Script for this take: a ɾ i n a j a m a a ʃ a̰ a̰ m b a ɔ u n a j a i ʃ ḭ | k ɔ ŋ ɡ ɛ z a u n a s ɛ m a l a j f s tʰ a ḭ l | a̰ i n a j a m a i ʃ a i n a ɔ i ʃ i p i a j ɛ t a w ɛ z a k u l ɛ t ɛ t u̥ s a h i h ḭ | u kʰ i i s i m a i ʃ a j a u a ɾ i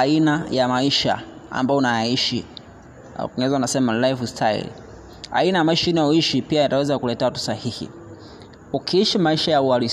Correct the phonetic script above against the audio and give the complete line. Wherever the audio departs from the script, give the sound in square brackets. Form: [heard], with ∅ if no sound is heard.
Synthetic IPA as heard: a [∅] i n a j a m a [i] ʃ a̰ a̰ m b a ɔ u n a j a i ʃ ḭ | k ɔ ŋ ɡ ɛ z a u n a s ɛ m a l a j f s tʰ a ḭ l | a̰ i n a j a m a i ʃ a i n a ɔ i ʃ i p i a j [a] t a w ɛ z a k u l ɛ t ɛ t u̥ s a h i h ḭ | u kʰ i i [ʃ] i m a i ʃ a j a u a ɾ i